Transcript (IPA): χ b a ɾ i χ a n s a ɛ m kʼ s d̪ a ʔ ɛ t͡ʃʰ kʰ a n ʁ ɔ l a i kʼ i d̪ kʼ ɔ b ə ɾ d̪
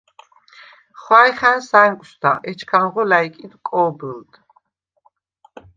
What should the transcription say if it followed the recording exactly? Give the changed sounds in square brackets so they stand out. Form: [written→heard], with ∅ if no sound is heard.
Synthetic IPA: χ [b→w] a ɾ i χ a n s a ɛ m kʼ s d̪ a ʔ ɛ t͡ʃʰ kʰ a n ʁ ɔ l a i kʼ i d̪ kʼ ɔ b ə [ɾ→l] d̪